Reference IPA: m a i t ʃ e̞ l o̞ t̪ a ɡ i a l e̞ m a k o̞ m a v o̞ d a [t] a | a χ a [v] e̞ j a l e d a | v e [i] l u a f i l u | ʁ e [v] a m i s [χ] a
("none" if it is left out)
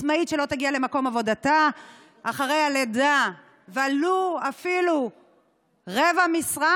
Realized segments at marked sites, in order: t, ʁ, a, v, ʁ

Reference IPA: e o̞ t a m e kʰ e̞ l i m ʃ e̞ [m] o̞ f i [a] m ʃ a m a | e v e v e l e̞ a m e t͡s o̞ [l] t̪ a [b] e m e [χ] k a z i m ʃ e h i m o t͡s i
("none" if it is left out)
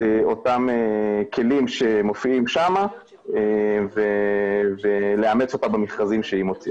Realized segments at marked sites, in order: m, i, none, b, χ

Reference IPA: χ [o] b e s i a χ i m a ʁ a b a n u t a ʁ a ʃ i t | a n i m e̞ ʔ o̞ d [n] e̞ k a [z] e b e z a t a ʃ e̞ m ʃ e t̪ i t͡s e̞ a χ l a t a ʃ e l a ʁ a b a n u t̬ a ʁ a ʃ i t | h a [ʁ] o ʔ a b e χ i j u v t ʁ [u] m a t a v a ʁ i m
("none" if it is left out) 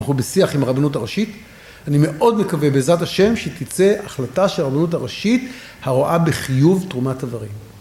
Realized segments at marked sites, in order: u, m, v, ʁ, u

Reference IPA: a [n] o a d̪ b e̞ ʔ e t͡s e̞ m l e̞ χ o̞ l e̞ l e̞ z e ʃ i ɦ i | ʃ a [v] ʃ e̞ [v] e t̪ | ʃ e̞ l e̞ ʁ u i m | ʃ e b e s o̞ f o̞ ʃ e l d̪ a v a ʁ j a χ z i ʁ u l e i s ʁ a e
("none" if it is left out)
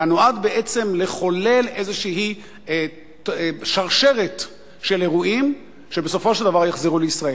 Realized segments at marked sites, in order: n, ʁ, ʁ

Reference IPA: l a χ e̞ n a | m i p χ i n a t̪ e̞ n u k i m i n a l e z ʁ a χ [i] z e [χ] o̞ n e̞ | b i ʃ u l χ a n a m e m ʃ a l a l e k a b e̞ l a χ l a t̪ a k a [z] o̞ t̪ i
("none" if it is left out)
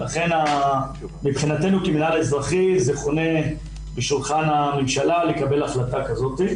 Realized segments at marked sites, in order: i, χ, z

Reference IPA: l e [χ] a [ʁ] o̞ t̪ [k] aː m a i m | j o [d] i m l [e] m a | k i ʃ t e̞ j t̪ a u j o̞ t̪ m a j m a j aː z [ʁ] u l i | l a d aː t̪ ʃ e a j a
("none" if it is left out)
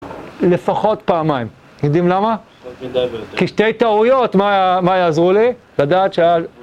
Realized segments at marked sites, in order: f, χ, p, d, a, ʁ

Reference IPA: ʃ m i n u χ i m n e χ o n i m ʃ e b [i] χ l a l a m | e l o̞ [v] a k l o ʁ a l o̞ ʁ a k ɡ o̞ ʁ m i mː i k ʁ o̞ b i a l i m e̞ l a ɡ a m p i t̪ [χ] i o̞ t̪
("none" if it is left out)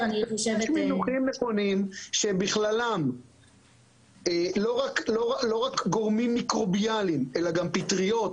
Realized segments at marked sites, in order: i, ʁ, ʁ

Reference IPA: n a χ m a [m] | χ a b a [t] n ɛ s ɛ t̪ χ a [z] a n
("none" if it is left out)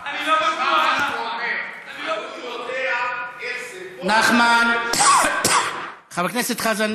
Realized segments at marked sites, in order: n, k, z

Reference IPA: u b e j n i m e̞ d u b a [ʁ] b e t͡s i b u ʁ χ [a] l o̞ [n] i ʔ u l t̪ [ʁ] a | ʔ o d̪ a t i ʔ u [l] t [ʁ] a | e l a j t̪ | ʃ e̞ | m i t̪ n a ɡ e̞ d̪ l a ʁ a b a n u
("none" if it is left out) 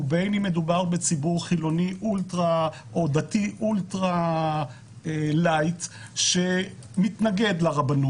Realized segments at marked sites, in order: ʁ, i, n, ʁ, l, ʁ

